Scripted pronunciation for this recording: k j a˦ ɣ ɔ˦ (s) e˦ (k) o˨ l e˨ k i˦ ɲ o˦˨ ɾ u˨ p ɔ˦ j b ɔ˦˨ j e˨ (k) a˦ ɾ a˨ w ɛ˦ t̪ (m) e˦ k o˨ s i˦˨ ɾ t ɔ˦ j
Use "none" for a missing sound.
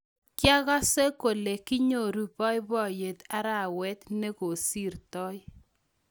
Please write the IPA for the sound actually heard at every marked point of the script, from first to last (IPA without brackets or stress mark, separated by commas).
s, k, t, n